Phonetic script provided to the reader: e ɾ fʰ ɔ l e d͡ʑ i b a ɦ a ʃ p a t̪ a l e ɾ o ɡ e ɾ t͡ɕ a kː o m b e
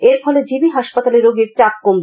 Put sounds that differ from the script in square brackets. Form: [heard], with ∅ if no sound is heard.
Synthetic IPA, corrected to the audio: e ɾ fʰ ɔ l e d͡ʑ i b [i] ɦ a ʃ p a t̪ a l e ɾ o ɡ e ɾ t͡ɕ a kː o m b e